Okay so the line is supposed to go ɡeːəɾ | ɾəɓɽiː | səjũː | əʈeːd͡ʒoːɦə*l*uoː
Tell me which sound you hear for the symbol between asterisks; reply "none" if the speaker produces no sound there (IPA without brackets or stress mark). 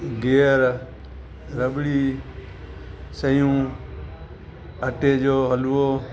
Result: l